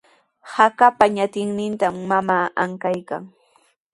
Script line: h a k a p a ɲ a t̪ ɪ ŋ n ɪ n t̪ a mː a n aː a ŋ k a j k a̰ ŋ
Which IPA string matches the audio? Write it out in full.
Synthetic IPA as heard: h a k a p a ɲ a t̪ ɪ ŋ n ɪ n t̪ a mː a m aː a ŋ k a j k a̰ ŋ

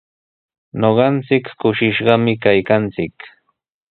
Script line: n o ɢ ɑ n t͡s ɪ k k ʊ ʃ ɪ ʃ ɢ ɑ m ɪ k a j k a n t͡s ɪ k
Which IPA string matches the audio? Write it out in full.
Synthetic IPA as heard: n o ɢ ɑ n t͡s ɪ k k ʊ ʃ ɪ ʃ ɢ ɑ m ɪ k a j k a n t͡s ɪ k

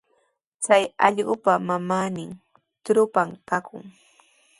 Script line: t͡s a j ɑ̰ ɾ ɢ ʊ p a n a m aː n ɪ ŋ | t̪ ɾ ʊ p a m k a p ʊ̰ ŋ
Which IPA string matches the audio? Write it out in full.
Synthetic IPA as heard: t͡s a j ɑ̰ ʎ ɢ ʊ p a m a m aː n ɪ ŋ | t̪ ɾ ʊ p a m k a k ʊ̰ ŋ

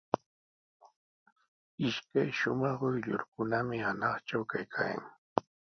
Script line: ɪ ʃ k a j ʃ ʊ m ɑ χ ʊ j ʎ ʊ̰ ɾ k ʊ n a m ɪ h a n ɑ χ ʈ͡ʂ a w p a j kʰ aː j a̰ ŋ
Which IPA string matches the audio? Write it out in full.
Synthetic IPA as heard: ɪ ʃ k a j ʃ ʊ m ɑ χ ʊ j ʎ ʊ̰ ɾ k ʊ n a m ɪ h a n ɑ χ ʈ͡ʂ a w k a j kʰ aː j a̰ ŋ

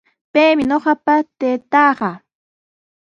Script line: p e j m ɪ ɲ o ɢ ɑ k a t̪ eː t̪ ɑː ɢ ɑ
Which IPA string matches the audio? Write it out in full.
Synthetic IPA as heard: p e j m ɪ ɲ o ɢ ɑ p a t̪ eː t̪ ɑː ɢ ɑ

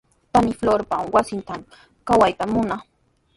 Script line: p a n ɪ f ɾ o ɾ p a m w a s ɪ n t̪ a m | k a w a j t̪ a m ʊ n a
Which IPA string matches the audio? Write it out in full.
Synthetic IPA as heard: p a n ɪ f l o ɾ p a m w a s ɪ n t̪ a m | k a w a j t̪ a m ʊ n a

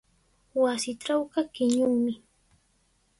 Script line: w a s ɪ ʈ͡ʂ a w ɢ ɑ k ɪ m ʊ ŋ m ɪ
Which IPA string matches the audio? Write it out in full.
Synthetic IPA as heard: w a s ɪ ʈ͡ʂ a w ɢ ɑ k ɪ ɲ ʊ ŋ m ɪ

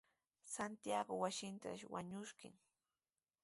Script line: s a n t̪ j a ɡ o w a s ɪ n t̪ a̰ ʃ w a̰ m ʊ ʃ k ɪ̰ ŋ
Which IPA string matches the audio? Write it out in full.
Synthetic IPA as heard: s a n t̪ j a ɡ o w a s ɪ n t̪ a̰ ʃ w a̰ ɲ ʊ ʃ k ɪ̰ ŋ

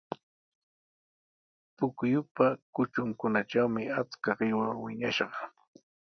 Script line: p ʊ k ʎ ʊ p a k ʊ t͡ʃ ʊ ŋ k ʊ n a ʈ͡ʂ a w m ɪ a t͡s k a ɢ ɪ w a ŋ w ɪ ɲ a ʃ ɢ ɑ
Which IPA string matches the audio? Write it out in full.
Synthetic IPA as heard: p ʊ k j ʊ p a k ʊ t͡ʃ ʊ ŋ k ʊ n a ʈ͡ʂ a w m ɪ a t͡s k a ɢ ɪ w a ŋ w ɪ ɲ a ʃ ɢ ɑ

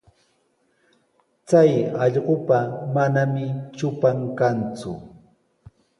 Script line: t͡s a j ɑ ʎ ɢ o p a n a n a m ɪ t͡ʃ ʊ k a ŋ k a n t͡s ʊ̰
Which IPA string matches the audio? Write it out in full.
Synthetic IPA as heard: t͡s a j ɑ ʎ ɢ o p a m a n a m ɪ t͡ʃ ʊ p a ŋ k a n t͡s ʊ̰

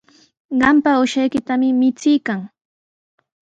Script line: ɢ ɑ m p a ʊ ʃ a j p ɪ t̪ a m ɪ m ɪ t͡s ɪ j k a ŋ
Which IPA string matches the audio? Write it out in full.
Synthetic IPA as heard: ɢ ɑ m p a ʊ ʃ a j k ɪ t̪ a m ɪ m ɪ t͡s ɪ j k a ŋ

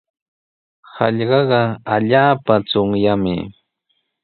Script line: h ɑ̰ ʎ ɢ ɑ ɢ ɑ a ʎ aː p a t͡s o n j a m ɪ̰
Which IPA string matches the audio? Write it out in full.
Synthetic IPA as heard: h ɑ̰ ʎ ɢ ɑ ɢ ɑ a ʎ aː p a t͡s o ŋ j a m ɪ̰

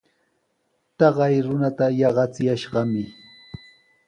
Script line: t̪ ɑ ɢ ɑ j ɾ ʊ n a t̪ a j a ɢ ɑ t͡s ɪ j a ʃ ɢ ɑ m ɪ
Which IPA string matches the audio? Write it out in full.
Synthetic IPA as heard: t̪ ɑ ɢ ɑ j ɾ ʊ n a t̪ a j ɑ ɢ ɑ t͡s ɪ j a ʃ ɢ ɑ m ɪ

